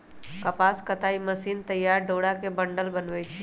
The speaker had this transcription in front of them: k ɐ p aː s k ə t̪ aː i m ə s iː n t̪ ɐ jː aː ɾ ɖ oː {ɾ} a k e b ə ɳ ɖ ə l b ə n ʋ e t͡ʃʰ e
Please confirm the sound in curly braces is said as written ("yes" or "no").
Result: no